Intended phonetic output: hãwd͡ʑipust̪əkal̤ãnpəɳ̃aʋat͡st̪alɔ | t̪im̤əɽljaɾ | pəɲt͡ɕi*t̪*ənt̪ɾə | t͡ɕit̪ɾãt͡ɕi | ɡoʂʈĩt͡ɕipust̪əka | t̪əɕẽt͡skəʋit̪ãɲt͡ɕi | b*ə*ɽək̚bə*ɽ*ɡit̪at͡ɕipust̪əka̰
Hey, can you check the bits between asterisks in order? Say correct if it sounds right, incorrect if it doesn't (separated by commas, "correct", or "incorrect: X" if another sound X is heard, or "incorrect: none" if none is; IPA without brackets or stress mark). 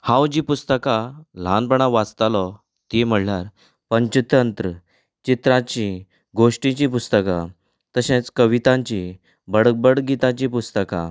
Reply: correct, correct, correct